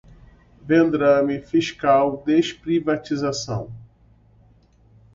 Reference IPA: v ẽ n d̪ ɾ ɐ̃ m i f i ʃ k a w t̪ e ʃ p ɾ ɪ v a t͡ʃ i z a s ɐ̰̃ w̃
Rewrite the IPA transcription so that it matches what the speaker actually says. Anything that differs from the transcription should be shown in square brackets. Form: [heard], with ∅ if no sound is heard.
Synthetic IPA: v ẽ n d̪ ɾ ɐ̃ m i f i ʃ k a w [d̪] e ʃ p ɾ [i] v a t͡ʃ i z a s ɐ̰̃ w̃